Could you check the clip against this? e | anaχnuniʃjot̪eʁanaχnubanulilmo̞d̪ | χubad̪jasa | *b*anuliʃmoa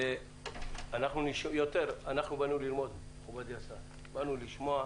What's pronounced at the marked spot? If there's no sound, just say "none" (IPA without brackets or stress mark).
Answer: b